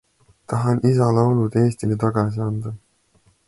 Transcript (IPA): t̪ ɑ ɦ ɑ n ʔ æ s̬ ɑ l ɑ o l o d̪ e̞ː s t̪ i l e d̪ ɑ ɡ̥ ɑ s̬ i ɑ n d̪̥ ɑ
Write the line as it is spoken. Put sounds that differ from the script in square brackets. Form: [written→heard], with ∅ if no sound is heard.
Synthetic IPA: t̪ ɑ ɦ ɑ n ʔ [æ→i] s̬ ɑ l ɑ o l [o→u] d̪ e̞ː s t̪ i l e [d̪→t̪] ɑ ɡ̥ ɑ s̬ i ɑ n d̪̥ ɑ